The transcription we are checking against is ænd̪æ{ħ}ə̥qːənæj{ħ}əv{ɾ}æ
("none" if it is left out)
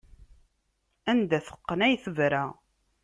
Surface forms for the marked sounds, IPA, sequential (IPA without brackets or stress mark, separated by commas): θ, θ, ɾ